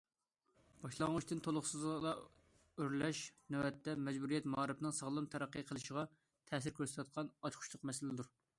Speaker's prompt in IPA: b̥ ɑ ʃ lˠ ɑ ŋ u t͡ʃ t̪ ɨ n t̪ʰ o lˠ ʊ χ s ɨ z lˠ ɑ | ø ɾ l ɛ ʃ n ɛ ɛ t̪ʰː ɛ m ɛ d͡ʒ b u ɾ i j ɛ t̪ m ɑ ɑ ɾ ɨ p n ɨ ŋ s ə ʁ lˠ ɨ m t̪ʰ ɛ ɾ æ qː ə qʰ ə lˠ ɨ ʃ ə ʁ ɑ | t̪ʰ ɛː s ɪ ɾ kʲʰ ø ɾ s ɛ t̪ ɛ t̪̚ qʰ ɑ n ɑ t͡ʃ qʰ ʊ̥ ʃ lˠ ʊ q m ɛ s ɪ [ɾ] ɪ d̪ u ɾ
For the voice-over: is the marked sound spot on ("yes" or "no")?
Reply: no